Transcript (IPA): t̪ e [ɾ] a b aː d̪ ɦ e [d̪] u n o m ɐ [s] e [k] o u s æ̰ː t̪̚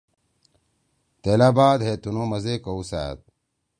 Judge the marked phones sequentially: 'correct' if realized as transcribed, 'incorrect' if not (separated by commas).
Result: incorrect, incorrect, incorrect, correct